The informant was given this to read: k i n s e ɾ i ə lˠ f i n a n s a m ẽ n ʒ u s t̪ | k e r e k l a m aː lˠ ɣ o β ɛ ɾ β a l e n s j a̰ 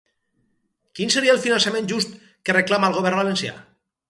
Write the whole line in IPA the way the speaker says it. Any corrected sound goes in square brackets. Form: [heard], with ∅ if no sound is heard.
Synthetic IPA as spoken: k i n s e ɾ i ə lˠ f i n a n s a m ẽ n ʒ u s t̪ | k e r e k l a m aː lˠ ɣ o β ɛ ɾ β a l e n s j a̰